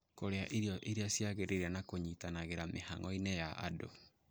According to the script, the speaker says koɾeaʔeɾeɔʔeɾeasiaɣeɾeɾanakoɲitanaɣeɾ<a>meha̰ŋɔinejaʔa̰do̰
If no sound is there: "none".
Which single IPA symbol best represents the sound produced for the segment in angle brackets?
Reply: a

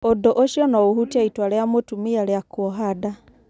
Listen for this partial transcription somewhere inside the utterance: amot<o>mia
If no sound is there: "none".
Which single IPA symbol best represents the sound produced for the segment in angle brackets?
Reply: u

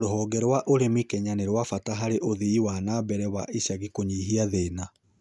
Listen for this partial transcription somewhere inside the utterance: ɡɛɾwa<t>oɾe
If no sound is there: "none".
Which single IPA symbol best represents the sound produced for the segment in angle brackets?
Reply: ʔ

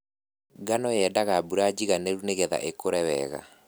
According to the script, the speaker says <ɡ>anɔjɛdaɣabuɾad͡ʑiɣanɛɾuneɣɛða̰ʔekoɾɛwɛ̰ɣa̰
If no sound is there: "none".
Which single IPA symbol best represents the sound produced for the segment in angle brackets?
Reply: ɡ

